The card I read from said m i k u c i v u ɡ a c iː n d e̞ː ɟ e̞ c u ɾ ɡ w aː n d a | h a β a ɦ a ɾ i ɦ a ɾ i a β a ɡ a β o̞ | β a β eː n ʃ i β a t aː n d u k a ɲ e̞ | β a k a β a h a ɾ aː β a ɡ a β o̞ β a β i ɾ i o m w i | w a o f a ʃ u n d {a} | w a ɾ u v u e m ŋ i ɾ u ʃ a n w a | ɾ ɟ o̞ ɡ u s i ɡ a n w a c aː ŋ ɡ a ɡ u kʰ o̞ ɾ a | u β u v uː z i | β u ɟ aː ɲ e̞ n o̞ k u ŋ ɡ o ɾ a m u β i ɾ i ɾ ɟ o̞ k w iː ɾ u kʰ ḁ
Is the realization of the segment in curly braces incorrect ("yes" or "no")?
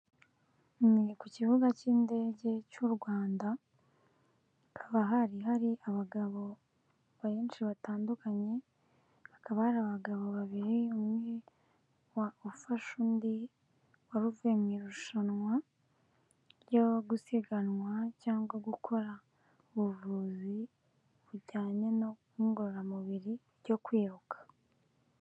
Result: yes